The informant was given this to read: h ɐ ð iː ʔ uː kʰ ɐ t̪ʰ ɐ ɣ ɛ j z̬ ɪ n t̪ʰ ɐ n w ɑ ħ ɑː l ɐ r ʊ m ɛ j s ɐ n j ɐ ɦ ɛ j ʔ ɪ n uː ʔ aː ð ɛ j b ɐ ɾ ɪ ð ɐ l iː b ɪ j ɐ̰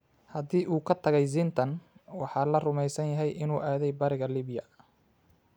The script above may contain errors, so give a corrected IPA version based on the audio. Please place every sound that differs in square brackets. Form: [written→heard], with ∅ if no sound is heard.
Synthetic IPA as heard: h ɐ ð iː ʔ uː kʰ ɐ t̪ʰ ɐ ɣ ɛ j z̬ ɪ n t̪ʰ ɐ n w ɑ ħ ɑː l ɐ r ʊ m ɛ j s ɐ n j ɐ ɦ ɛ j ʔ ɪ n uː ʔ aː ð ɛ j b ɐ ɾ ɪ [ð→ɣ] ɐ l iː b ɪ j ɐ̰